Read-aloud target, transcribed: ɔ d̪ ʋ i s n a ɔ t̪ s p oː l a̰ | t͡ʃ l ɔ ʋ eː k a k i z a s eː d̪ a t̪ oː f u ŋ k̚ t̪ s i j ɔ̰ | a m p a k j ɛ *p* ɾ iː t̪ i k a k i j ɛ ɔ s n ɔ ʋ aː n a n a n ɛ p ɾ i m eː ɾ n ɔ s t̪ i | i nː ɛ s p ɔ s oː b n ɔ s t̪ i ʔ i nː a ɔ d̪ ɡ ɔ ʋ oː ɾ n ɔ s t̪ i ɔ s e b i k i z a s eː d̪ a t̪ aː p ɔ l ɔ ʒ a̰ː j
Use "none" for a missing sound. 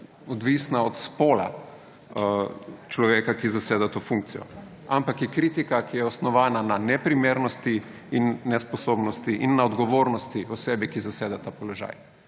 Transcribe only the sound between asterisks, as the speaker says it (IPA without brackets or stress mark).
k